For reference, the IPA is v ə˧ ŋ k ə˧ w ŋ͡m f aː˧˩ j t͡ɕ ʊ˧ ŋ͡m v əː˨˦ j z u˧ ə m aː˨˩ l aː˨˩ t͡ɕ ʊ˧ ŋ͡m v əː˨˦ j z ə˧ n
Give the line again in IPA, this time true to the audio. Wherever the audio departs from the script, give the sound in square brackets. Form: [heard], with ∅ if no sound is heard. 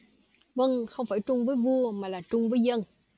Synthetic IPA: v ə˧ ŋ [x] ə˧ w ŋ͡m f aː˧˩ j t͡ɕ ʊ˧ ŋ͡m v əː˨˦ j [v] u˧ ə m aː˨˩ l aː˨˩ t͡ɕ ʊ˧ ŋ͡m v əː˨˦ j z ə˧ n